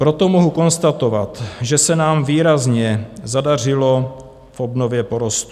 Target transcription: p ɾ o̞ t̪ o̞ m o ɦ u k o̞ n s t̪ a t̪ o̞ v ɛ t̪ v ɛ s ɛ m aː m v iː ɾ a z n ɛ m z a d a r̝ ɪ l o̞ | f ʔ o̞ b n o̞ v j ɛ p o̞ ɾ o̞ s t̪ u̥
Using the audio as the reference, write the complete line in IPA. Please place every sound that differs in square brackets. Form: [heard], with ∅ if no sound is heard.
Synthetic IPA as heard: p ɾ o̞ t̪ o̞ m o ɦ u k o̞ n s t̪ a t̪ o̞ v [a] t̪ [ʒ] ɛ s ɛ [n] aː m v iː ɾ a z [ɲ] ɛ [∅] z a d a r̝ ɪ l o̞ | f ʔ o̞ b n o̞ v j ɛ p o̞ ɾ o̞ s t̪ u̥